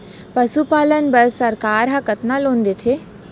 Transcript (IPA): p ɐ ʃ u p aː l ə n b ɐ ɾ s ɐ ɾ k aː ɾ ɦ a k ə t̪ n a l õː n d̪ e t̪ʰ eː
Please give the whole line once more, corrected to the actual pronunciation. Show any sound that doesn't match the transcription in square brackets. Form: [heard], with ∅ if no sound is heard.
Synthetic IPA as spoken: p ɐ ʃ u p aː l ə n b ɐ ɾ s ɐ ɾ k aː ɾ ɦ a k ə t̪ n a l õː n d̪ e t̪ʰ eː